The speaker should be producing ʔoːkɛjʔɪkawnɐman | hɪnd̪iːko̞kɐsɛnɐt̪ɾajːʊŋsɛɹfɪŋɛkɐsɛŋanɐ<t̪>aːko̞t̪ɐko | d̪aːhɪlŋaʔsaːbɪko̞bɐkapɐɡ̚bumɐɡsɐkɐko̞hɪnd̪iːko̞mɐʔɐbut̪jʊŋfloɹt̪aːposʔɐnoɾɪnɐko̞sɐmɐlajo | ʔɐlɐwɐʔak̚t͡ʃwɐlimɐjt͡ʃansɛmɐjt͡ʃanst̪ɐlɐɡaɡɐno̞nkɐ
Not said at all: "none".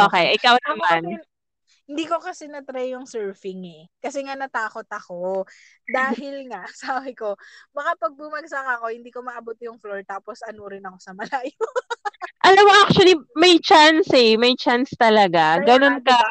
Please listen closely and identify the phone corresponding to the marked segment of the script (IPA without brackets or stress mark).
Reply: t̪